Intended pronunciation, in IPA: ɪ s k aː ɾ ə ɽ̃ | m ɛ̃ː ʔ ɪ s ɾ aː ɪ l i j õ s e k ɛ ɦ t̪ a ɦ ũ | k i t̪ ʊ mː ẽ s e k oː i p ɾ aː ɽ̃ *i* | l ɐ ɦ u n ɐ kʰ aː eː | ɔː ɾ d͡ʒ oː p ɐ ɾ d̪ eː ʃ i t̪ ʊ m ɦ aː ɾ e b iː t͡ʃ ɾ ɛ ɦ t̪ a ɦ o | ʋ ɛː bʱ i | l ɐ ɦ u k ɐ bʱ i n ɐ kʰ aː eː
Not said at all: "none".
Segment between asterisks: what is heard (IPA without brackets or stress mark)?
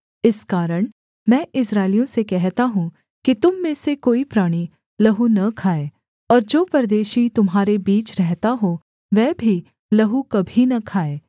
i